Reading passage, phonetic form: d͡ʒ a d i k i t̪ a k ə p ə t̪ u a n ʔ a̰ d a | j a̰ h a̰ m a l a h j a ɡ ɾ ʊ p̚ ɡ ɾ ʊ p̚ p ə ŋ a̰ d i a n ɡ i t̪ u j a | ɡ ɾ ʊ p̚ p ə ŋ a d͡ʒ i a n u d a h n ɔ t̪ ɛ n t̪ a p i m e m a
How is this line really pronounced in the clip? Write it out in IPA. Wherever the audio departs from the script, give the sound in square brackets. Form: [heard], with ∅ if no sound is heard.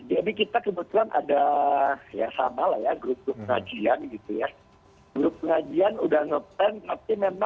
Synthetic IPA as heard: d͡ʒ a d i k i t̪ a k ə [b] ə t̪ u a n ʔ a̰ d a | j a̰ [s] a̰ m a l a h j a ɡ ɾ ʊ p̚ ɡ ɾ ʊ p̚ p ə ŋ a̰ [d͡ʒ] i a n ɡ i t̪ u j a | ɡ ɾ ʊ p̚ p ə ŋ a d͡ʒ i a n u d a h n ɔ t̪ ɛ n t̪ a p i m e m a